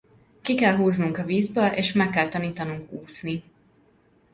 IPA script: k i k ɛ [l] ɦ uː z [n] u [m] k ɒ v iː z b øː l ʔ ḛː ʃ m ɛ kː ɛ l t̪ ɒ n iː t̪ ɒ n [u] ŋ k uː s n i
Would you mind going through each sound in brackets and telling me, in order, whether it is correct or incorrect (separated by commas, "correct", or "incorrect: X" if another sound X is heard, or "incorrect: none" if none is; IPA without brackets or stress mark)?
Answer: correct, correct, incorrect: ŋ, correct